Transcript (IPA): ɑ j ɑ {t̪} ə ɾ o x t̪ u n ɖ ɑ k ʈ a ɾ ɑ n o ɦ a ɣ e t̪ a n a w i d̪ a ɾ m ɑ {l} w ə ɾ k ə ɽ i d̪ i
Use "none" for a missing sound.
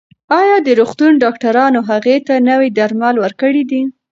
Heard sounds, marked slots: d̪, l

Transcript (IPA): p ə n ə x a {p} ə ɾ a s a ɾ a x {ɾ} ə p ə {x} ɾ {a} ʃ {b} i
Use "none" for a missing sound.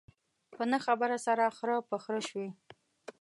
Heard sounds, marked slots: b, ɾ, x, ə, w

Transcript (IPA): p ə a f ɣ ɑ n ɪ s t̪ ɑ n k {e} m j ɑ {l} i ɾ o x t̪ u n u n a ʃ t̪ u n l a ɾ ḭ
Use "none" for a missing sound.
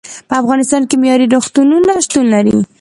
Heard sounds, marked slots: e, ɾ

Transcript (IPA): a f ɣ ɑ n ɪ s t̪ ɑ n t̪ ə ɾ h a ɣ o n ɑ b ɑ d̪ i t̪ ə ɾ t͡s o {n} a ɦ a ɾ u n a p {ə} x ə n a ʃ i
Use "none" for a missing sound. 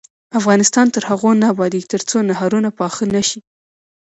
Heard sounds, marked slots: n, ɑ

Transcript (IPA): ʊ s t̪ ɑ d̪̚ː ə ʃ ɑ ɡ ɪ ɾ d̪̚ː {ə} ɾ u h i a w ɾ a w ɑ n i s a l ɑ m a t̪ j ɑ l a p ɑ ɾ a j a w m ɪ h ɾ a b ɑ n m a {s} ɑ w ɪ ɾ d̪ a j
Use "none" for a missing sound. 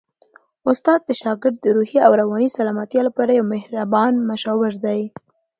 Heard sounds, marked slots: ə, ʃ

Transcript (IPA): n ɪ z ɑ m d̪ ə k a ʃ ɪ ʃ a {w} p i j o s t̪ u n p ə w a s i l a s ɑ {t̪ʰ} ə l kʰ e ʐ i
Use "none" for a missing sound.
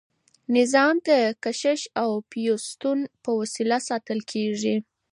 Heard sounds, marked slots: w, t̪

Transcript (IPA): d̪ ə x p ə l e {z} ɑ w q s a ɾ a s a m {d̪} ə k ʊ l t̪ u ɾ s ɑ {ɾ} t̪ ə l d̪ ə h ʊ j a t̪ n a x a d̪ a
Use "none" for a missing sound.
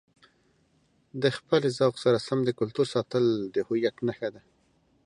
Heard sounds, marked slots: z, d̪, none

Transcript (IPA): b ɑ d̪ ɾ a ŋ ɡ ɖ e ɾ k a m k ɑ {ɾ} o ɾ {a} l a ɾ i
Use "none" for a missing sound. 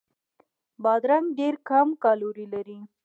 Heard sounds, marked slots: l, i

